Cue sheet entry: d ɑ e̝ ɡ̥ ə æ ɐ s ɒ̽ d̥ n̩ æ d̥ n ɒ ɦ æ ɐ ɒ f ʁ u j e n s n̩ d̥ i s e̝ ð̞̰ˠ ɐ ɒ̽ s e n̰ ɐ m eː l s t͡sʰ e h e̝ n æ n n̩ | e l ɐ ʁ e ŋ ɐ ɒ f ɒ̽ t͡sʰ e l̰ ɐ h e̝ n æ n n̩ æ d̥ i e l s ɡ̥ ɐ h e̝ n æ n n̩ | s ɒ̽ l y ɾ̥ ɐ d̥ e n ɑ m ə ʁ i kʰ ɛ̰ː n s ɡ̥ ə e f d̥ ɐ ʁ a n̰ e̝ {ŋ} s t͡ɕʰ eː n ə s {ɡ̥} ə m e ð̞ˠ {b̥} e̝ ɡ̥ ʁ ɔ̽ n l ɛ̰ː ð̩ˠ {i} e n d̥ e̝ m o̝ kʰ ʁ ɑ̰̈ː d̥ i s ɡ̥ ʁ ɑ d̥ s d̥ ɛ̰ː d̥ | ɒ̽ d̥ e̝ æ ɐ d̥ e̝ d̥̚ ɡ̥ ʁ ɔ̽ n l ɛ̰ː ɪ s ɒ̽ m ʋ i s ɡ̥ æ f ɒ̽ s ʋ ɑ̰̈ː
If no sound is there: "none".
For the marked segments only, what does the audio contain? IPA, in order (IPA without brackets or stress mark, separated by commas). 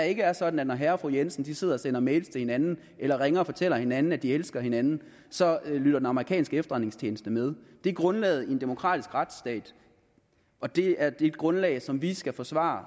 ŋ, d̥, d̥, i